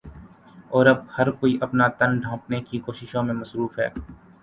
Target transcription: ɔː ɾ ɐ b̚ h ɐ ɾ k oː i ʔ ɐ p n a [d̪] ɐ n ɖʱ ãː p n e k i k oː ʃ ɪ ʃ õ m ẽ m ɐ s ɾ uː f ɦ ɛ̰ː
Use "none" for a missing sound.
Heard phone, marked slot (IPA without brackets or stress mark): t̪